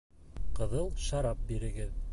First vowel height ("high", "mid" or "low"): mid